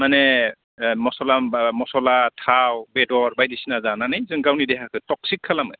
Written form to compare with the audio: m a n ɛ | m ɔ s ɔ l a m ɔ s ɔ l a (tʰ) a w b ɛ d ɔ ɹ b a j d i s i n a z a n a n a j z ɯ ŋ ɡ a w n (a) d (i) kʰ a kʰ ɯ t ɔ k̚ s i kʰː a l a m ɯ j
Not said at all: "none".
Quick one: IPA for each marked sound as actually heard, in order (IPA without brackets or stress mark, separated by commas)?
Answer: tʰ, i, ɛ